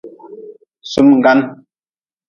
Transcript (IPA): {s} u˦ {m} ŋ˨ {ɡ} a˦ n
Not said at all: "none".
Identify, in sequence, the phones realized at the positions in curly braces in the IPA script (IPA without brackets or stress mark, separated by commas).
s, m, ɡ